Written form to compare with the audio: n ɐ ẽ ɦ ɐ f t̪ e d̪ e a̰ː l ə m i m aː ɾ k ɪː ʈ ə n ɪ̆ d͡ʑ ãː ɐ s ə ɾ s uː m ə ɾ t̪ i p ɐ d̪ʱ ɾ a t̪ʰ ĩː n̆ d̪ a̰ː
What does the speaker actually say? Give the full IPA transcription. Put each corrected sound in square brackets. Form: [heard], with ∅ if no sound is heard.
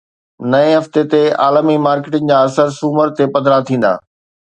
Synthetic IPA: n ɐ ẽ ɦ ɐ f t̪ e [t̪] e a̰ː l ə m i m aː ɾ k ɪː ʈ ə n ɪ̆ d͡ʑ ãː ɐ s ə ɾ s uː m ə ɾ t̪ [e] p ɐ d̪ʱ ɾ a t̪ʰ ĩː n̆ d̪ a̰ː

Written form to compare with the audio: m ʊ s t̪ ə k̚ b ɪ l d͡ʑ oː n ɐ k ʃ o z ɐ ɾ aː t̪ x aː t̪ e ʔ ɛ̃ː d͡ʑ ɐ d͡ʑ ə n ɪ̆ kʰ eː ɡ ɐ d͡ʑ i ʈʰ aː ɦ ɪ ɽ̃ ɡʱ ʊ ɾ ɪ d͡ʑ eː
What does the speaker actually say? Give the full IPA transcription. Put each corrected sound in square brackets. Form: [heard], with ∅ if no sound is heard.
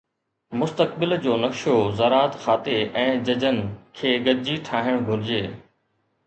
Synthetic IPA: m ʊ s t̪ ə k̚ b ɪ l d͡ʑ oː n ɐ k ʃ o z ɐ ɾ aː t̪ x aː t̪ e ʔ ɛ̃ː d͡ʑ ɐ d͡ʑ ə n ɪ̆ kʰ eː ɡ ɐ d͡ʑ i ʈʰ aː ɦ ɪ ɽ̃ ɡʱ ʊ ɾ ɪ d͡ʑ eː

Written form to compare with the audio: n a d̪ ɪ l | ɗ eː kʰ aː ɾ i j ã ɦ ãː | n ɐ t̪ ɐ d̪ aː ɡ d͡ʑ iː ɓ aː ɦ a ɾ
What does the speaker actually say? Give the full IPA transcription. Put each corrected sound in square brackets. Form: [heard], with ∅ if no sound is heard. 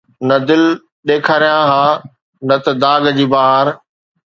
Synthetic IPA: n [ɐ] d̪ ɪ l | ɗ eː kʰ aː ɾ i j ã ɦ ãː | n ɐ t̪ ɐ d̪ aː ɡ d͡ʑ iː [b] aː ɦ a ɾ

